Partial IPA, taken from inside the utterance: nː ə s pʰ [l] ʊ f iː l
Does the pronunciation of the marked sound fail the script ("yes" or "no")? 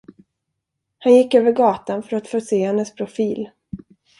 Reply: yes